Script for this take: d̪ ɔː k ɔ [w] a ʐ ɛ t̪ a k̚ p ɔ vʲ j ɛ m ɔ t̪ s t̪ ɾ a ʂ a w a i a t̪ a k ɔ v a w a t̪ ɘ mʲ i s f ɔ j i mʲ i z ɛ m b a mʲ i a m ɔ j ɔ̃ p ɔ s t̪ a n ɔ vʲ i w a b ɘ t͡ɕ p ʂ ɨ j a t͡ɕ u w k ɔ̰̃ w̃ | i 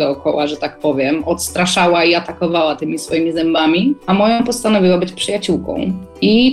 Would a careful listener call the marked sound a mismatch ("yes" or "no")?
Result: no